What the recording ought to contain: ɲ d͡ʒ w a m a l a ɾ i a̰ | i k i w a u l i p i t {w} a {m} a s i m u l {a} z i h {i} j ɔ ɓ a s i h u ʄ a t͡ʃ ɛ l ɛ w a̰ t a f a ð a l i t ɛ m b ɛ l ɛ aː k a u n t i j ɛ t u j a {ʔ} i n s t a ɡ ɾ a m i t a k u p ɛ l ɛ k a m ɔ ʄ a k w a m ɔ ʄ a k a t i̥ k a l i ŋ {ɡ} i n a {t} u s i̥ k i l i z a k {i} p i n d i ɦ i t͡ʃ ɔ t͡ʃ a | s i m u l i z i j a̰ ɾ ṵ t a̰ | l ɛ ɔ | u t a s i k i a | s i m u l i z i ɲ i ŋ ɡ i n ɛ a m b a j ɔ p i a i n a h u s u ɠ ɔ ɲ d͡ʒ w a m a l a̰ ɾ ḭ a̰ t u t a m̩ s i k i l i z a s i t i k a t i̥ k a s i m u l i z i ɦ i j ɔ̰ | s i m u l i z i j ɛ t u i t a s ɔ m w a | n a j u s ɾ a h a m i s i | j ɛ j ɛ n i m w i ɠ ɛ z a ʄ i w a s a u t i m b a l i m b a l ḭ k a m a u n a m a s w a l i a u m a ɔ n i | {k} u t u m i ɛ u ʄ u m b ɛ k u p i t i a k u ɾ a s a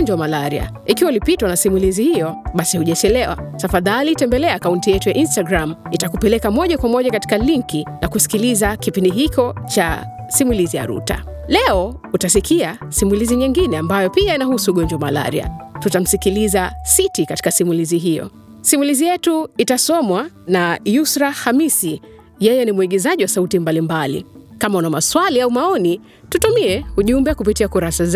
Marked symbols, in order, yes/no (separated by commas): yes, no, no, yes, yes, no, no, yes, no